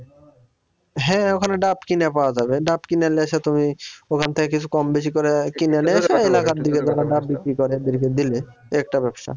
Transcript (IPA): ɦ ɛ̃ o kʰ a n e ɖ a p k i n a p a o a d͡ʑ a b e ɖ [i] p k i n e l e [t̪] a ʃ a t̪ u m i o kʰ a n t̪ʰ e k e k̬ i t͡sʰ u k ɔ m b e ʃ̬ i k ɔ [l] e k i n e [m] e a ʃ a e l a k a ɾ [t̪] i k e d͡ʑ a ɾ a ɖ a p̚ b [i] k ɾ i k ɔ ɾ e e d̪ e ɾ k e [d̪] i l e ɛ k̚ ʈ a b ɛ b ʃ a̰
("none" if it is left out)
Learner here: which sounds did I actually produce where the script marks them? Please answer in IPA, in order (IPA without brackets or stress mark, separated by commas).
a, none, ɾ, n, d̪, i, d̪